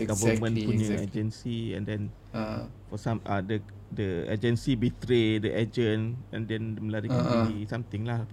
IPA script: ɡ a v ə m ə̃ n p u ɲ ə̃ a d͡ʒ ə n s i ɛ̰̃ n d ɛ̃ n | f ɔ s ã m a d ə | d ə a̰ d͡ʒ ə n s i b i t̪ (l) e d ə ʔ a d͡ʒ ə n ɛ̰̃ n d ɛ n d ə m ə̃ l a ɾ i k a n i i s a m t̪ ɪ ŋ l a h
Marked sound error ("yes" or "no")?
yes